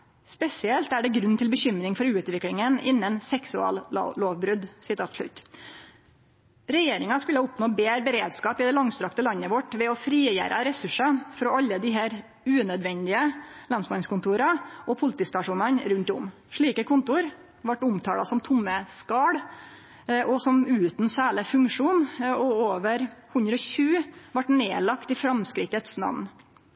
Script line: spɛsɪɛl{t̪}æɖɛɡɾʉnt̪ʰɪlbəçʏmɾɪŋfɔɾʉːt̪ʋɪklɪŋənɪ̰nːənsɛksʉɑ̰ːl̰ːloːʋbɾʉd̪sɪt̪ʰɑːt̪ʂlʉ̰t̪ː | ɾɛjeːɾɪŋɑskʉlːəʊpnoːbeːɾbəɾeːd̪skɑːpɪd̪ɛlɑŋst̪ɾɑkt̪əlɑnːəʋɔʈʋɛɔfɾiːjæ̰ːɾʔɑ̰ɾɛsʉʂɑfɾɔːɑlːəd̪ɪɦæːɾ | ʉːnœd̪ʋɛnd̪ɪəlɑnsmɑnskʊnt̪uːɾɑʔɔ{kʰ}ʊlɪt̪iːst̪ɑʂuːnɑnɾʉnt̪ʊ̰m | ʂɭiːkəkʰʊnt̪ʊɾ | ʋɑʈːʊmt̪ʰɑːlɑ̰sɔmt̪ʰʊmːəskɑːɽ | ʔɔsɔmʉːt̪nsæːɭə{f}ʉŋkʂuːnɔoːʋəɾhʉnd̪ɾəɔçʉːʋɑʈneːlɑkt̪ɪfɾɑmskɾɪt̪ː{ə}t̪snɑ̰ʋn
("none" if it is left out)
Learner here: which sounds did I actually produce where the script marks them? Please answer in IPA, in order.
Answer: t̪, pʰ, f, ə

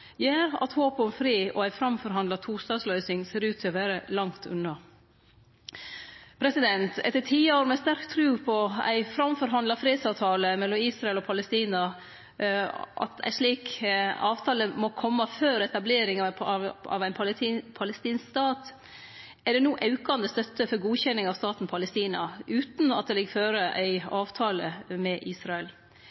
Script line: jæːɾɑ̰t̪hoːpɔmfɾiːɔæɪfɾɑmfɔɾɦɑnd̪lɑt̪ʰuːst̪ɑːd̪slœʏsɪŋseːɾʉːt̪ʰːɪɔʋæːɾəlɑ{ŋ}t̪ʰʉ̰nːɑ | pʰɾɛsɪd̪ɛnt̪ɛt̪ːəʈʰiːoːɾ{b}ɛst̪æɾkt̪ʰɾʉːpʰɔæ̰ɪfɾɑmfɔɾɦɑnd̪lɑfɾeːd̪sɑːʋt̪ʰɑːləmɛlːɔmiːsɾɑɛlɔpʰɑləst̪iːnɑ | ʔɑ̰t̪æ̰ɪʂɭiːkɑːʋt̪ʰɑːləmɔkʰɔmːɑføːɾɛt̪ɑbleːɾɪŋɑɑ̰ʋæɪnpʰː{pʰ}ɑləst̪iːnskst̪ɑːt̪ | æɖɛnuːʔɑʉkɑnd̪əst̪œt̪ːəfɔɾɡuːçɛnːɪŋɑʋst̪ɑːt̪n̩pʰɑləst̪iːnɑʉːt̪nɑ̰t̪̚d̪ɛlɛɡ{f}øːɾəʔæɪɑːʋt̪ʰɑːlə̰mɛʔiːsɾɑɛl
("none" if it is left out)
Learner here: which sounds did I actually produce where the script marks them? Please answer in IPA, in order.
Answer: ŋ, m, pʰ, f

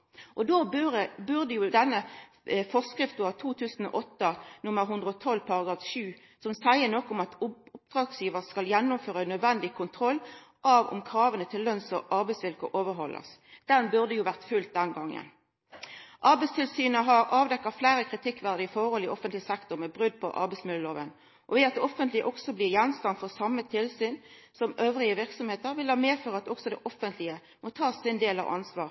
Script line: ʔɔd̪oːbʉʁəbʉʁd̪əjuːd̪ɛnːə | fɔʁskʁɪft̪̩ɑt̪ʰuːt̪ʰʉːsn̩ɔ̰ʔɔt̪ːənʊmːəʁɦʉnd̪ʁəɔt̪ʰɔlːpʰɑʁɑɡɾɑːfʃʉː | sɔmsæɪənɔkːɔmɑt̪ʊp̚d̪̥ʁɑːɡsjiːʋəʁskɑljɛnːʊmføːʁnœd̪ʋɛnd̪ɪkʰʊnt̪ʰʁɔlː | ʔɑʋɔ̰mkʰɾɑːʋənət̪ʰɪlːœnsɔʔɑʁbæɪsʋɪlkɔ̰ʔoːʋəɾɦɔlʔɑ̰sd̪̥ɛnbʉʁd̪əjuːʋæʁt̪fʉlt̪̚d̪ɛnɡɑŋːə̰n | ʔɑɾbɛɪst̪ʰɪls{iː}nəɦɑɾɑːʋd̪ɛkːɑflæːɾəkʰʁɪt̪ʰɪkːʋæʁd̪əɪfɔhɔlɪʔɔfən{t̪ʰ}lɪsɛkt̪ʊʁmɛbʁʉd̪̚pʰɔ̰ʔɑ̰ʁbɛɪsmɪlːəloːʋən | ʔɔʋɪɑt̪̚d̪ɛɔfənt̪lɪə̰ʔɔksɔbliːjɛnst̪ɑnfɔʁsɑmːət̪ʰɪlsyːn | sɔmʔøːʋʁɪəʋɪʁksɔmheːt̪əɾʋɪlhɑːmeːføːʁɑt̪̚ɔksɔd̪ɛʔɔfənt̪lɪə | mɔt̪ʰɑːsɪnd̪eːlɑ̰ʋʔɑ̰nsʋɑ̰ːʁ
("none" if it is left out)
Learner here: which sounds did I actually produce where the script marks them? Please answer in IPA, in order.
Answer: yː, t̪

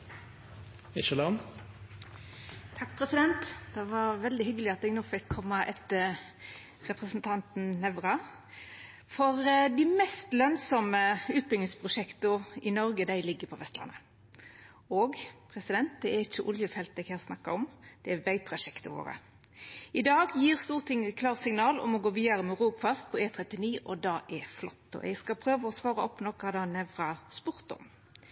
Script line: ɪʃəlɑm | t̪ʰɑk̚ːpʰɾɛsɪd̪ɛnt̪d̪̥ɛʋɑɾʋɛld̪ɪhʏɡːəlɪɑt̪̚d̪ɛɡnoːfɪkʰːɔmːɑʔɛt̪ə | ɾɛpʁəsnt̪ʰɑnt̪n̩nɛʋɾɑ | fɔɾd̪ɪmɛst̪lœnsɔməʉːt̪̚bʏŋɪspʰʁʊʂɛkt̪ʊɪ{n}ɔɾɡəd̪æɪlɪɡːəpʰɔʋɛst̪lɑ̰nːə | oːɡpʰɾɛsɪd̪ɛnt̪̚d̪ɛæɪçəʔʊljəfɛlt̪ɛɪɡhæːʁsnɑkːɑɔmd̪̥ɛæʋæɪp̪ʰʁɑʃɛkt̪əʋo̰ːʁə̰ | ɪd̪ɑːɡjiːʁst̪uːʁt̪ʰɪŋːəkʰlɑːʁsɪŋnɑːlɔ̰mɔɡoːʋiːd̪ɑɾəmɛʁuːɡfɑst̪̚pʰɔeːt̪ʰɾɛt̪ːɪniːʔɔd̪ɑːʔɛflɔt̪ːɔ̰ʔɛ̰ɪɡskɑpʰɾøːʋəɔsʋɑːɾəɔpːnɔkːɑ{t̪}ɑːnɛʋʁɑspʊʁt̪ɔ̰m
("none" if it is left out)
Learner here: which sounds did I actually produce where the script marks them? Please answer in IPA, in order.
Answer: n, d̪

